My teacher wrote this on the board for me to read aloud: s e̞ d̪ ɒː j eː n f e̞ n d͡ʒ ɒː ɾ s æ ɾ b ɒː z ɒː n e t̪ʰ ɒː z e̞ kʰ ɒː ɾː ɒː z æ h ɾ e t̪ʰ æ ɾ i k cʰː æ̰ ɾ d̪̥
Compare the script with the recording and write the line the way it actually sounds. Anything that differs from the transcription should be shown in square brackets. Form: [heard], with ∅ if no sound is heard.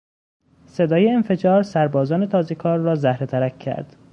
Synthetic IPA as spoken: s e̞ d̪ ɒː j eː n f e̞ [∅] d͡ʒ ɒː ɾ s æ ɾ b ɒː z ɒː n e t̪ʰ ɒː z e̞ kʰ ɒː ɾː ɒː z æ h ɾ e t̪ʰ æ ɾ [æ] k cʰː æ̰ ɾ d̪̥